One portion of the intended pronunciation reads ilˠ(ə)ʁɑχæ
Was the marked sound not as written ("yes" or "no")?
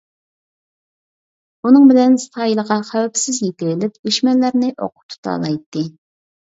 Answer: no